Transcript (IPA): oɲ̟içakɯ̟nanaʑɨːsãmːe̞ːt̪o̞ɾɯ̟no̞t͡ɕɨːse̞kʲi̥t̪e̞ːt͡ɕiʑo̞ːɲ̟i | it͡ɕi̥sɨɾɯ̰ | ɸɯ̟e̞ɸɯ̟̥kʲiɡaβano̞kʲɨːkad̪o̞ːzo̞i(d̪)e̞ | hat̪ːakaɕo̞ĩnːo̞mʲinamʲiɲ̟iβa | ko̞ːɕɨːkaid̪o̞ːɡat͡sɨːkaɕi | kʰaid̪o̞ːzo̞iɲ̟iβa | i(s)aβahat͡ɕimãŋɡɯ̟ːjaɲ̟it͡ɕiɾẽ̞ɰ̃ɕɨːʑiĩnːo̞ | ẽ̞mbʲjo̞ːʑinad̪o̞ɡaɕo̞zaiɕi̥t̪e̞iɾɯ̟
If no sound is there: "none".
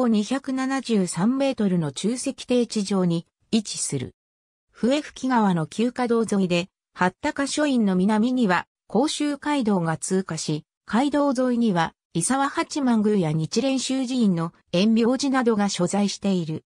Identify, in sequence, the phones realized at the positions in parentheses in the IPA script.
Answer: d̪, s

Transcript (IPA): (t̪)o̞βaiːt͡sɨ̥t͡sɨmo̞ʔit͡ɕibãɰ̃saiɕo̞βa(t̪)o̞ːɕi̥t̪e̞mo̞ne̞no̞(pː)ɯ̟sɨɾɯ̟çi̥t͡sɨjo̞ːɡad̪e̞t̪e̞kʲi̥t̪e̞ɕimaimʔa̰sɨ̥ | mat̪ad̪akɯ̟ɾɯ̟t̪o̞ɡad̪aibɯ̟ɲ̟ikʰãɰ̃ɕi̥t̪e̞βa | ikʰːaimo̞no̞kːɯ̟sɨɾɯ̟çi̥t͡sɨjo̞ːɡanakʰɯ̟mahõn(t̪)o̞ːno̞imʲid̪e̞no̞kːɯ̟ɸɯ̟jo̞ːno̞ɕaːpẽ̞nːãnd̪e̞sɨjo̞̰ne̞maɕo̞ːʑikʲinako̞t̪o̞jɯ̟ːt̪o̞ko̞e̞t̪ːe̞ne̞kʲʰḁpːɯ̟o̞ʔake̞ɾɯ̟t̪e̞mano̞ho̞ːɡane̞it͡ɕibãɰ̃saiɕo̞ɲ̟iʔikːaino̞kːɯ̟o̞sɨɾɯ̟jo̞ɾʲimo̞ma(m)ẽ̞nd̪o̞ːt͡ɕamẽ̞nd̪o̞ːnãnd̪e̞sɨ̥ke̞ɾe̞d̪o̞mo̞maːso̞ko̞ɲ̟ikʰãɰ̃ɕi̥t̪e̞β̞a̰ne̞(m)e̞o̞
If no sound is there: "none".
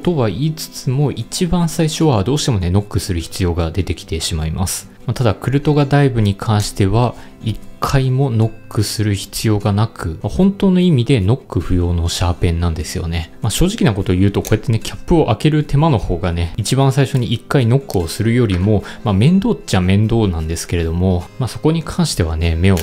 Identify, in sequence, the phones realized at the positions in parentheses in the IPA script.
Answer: t̪, d̪, kː, t̪, m, m

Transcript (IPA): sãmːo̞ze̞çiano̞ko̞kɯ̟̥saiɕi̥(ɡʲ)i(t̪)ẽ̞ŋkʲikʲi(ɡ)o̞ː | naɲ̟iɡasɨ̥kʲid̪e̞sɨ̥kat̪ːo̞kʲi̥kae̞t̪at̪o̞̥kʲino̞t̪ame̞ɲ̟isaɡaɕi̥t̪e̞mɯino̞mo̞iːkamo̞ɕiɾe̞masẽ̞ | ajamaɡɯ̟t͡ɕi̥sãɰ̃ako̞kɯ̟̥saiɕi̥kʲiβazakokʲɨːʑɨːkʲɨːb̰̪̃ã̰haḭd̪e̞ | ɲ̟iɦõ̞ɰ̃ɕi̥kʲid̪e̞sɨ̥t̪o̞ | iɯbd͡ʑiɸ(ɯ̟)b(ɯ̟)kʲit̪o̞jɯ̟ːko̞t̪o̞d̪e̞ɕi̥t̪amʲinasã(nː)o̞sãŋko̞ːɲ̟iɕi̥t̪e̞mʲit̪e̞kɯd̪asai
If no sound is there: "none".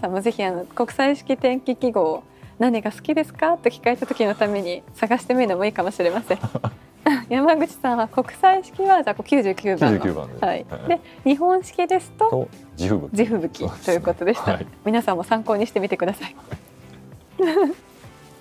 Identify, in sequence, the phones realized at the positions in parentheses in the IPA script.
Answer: kʲ, t̪, ɡ, ɯ̟, ɯ̟, mː

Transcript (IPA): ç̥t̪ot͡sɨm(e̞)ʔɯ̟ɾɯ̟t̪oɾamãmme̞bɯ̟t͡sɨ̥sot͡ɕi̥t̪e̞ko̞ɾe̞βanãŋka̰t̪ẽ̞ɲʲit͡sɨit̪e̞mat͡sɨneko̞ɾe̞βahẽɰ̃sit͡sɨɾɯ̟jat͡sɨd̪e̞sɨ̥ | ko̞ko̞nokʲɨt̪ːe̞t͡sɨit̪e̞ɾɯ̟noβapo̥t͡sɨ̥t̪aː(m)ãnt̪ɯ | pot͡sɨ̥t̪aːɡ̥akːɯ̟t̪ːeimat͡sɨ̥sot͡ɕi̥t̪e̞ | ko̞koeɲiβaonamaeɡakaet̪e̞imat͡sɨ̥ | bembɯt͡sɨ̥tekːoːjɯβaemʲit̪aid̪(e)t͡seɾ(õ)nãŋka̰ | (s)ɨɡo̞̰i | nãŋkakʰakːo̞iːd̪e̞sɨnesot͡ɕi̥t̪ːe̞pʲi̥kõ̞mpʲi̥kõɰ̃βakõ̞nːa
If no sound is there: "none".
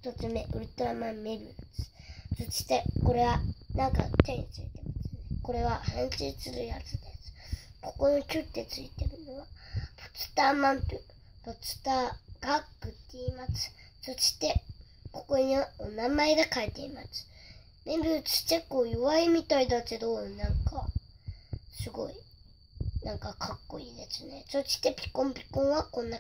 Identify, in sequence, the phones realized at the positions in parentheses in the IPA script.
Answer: e̞, m, a, o, s

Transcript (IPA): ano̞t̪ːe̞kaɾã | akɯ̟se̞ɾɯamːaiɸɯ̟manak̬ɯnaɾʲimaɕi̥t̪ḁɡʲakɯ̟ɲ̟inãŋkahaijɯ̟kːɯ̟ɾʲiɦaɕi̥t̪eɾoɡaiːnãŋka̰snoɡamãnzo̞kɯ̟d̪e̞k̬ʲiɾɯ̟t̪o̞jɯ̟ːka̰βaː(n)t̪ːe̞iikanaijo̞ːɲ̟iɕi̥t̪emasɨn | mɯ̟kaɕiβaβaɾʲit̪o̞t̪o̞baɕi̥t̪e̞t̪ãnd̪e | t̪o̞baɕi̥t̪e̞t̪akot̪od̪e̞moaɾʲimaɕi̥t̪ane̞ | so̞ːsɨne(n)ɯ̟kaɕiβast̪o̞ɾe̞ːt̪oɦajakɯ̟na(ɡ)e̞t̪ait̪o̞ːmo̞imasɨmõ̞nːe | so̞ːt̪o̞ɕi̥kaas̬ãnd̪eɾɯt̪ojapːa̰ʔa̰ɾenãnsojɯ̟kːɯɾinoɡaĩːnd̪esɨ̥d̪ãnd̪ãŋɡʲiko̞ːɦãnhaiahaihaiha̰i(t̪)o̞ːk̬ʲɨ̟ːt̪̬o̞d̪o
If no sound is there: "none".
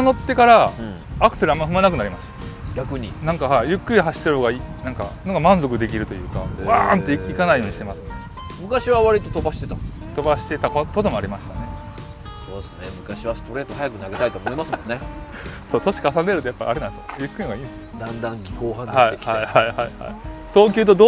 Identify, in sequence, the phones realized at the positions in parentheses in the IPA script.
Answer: n, m, ɡ, t̪

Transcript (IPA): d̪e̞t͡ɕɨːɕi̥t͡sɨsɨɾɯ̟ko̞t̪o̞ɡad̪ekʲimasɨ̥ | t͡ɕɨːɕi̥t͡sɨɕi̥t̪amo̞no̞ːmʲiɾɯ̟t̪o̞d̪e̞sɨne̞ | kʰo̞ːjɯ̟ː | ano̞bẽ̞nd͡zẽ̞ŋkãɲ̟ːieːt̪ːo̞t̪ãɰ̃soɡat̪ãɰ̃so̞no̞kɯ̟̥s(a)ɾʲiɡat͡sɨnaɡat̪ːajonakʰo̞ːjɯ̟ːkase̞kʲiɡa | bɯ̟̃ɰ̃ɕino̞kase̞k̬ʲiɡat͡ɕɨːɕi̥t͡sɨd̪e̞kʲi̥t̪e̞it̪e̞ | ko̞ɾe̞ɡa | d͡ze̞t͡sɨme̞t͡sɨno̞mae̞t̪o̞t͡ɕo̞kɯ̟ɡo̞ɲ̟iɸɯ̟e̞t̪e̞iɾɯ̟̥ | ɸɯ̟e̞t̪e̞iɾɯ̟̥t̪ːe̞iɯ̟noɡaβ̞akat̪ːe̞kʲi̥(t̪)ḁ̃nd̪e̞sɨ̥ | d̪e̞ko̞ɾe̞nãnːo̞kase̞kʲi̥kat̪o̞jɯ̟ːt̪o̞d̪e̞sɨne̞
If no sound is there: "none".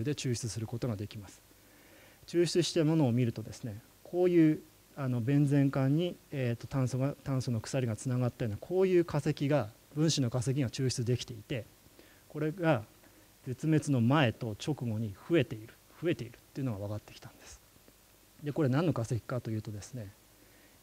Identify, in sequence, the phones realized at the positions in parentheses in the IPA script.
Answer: a, t̪

